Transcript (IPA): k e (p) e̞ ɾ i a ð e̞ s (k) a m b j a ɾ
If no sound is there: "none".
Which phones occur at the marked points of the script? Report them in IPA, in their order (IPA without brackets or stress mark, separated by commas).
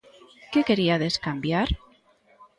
k, k